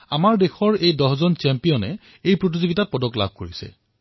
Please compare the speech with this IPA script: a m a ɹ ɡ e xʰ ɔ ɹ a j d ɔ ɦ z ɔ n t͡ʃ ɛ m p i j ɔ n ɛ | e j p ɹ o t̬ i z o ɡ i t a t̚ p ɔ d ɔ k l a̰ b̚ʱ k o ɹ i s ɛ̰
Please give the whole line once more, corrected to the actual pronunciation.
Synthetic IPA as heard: a m a ɹ d e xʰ ɔ ɹ e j d ɔ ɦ z ɔ n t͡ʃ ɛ m p i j ɔ n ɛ | e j p ɹ o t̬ i z o ɡ i t a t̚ p ɔ d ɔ k l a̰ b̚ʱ k o ɹ i s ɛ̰

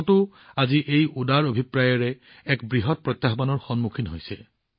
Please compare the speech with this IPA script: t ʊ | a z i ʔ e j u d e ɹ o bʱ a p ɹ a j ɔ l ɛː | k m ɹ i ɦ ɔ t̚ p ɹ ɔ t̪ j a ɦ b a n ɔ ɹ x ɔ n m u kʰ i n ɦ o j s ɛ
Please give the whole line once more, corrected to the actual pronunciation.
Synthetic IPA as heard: t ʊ | a z i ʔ e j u d a ɹ o bʱ i p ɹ a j ɔ ɹ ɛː | k b ɹ i ɦ ɔ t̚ p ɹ ɔ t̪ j a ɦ b a n ɔ ɹ x ɔ n m u kʰ i n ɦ o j s ɛ

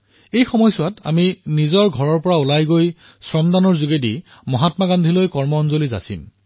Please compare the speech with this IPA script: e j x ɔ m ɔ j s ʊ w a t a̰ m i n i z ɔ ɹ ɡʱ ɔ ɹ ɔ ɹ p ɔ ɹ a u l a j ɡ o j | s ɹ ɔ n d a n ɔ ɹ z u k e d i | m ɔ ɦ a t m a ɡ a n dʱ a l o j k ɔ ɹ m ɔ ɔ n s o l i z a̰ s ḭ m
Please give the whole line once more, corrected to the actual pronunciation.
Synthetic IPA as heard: e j x ɔ m ɔ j s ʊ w a t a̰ m i n i z ɔ ɹ ɡʱ ɔ ɹ ɔ ɹ p ɔ ɹ a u l a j ɡ o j | s ɹ ɔ m d a n ɔ ɹ z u ɡ e d i | m ɔ ɦ a t m a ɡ a n dʱ i l o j k ɔ ɹ m ɔ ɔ n z o l i z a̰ s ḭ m

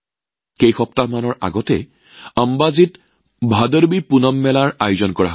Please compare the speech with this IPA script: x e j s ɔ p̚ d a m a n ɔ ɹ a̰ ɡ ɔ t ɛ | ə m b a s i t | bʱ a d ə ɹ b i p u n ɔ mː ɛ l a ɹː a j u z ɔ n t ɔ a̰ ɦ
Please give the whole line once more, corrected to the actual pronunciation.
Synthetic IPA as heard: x e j x ɔ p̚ t a m a n ɔ ɹ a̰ ɡ ɔ t ɛ | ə m b a z i t | bʱ a d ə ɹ b i p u n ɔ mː ɛ l a ɹ a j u z ɔ n k ɔ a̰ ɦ

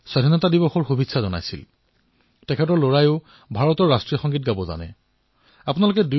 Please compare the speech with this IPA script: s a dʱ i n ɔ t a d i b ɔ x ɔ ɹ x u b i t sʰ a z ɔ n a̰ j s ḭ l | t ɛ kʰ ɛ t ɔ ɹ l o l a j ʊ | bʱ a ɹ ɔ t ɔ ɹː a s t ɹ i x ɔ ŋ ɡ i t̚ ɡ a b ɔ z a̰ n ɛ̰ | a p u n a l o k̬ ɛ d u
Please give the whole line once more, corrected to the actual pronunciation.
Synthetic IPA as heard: s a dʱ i n ɔ t a d i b ɔ x ɔ ɹ x u b i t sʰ a z ɔ n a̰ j s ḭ l | t ɛ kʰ ɛ t ɔ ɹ l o ɹ a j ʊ | bʱ a ɹ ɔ t ɔ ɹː a s t ɹ i x ɔ ŋ ɡ i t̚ ɡ a b ɔ z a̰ n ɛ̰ | a p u n a l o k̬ ɛ d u

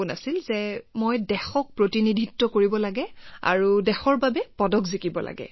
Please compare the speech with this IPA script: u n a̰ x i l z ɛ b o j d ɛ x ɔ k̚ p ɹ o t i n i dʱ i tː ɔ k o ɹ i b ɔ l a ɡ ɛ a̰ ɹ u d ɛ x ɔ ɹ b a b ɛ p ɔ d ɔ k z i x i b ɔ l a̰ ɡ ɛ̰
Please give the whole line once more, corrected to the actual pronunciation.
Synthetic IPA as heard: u n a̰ s i l z ɛ m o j d ɛ x ɔ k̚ p ɹ o t i n i dʱ i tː ɔ k o ɹ i b ɔ l a ɡ ɛ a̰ ɹ u d ɛ x ɔ ɹ b a b ɛ p ɔ d ɔ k z i k i b ɔ l a̰ ɡ ɛ̰

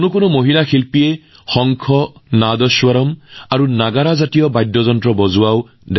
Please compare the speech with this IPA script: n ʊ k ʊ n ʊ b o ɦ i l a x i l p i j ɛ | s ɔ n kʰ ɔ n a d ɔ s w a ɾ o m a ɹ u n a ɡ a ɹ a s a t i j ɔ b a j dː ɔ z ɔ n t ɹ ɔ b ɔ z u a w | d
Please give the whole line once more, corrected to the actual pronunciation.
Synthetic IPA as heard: n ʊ k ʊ n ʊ m o ɦ i l a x i l p i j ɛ | x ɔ ŋ kʰ ɔ n a d ɔ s w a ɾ ɔ m a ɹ u n a ɡ a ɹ a z a t i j ɔ b a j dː ɔ z ɔ n t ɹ ɔ b ɔ z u a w | d

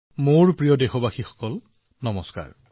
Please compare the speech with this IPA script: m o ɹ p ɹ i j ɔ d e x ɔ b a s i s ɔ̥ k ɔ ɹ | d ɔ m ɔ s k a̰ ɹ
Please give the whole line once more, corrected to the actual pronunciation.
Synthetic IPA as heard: m o ɹ p ɹ i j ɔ d e x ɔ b a x i x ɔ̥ k ɔ l | n ɔ m ɔ s k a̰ ɹ

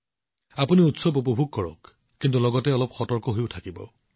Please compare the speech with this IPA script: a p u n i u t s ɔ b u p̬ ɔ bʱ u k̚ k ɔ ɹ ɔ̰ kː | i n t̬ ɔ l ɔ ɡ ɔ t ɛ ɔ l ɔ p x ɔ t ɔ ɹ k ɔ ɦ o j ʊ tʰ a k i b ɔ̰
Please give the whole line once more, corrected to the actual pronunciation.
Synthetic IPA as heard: a p u n i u t s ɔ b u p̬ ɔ bʱ u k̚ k ɔ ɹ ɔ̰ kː | i n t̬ u l ɔ ɡ ɔ t ɛ ɔ l ɔ p x ɔ t ɔ ɹ k ɔ ɦ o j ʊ tʰ a k i b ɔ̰

